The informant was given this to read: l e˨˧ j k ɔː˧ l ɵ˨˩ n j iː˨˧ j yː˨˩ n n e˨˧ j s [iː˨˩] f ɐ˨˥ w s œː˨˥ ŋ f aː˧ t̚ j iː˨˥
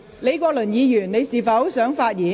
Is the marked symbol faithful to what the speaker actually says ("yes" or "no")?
yes